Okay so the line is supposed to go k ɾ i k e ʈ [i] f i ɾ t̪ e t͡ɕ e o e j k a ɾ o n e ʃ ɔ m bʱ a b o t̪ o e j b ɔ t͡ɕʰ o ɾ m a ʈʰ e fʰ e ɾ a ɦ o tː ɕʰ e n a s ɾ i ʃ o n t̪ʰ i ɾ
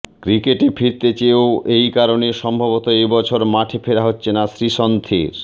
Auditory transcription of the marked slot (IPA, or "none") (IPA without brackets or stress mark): e